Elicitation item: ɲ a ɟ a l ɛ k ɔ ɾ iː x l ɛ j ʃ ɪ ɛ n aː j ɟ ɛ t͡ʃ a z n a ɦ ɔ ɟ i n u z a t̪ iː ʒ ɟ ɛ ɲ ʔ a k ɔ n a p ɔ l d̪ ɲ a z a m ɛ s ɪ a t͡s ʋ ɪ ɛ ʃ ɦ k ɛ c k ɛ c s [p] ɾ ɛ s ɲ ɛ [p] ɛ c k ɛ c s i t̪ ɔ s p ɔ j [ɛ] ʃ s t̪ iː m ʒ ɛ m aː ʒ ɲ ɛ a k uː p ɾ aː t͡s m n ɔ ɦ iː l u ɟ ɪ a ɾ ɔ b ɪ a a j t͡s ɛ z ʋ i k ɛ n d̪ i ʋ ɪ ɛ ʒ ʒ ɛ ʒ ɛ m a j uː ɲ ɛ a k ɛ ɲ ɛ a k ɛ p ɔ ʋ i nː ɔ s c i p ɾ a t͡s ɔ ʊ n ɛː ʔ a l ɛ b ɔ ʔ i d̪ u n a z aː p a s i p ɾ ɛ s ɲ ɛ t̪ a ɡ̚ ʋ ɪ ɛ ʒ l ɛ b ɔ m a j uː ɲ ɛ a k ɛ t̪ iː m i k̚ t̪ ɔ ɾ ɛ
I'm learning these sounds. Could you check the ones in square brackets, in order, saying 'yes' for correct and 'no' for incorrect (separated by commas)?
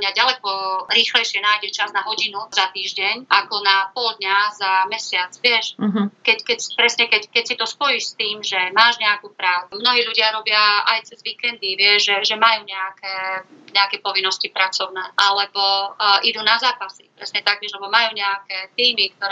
yes, no, no